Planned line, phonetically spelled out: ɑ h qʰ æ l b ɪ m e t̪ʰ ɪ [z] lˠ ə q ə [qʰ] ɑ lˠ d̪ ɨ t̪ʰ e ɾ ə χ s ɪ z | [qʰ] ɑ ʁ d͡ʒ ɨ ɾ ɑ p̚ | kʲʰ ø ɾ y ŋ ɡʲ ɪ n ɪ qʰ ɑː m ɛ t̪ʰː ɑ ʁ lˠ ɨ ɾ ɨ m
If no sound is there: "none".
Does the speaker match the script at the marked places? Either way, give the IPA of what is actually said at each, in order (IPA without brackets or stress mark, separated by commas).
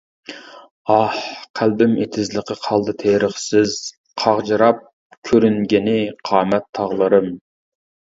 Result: z, qʰ, qʰ